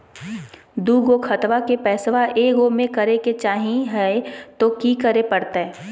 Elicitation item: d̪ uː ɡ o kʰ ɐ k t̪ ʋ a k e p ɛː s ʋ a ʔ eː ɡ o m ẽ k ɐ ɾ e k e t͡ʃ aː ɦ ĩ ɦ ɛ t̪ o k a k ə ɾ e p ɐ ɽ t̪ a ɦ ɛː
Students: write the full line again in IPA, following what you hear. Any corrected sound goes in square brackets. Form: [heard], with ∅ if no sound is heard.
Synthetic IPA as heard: d̪ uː ɡ o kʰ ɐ [∅] t̪ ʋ a k e p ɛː s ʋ a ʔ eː ɡ o m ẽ k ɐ ɾ e k e t͡ʃ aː ɦ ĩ ɦ ɛ t̪ o k [i] k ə ɾ e p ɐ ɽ t̪ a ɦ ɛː

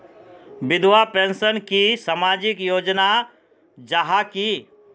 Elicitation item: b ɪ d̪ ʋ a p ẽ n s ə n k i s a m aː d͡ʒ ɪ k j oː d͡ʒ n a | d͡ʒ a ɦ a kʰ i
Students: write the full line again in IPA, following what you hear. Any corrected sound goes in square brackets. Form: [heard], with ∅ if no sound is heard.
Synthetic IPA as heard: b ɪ d̪ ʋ a p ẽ n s ə n k i s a m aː d͡ʒ ɪ k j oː d͡ʒ n a | d͡ʒ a ɦ a [k] i

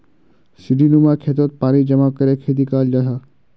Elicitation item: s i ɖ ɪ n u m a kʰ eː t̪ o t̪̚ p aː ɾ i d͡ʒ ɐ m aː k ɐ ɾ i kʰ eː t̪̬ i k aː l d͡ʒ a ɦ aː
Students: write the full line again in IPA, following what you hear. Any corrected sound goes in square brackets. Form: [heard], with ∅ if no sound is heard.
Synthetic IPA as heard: s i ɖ [i] n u m a kʰ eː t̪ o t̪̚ p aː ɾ i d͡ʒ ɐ m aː k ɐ ɾ [e] kʰ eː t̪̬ i k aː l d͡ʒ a ɦ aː

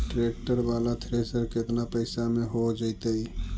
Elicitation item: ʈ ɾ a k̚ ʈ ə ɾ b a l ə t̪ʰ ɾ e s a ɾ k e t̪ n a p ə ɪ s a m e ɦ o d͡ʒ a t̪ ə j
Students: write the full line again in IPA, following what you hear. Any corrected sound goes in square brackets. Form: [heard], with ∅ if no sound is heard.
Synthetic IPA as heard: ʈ ɾ [e] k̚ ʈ ə ɾ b a l [a] t̪ʰ ɾ e s [ə] ɾ k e t̪ n a p ə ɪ s a m e ɦ o d͡ʒ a t̪ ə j

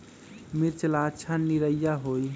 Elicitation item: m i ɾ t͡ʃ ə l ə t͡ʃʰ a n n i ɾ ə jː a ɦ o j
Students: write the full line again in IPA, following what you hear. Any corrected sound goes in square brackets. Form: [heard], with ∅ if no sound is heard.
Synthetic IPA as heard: m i ɾ t͡ʃ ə l [a] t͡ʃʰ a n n i ɾ ə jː a ɦ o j

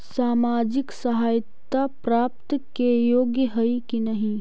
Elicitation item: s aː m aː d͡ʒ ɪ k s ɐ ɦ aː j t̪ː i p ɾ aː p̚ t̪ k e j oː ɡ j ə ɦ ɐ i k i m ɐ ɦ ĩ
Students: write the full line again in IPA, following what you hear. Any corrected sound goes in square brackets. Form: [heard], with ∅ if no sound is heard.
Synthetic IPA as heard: s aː m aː d͡ʒ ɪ k s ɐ ɦ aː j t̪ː [a] p ɾ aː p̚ t̪ k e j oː ɡ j ə ɦ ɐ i k i [n] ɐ ɦ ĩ

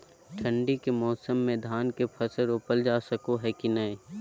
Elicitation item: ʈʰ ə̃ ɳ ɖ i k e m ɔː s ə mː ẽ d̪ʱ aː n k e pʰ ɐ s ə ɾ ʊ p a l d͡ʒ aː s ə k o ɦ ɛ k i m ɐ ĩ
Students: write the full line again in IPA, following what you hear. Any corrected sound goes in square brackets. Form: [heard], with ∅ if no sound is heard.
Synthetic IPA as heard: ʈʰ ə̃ ɳ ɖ i k e m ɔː s ə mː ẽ d̪ʱ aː n k e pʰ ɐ s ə ɾ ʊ p [ə] l d͡ʒ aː s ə k o ɦ ɛ k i [n] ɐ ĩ

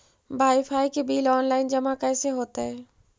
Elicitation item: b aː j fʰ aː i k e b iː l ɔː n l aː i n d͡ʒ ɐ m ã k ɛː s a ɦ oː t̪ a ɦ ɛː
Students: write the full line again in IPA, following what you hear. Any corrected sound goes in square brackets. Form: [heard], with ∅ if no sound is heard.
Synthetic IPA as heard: b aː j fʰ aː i k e b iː l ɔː n l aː [ɪ] n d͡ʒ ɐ m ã k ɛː s [e] ɦ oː t̪ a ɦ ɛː

